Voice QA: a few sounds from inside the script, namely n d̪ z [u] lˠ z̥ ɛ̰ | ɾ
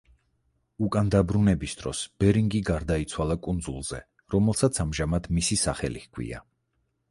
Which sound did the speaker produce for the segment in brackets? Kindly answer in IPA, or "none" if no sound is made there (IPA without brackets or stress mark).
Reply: u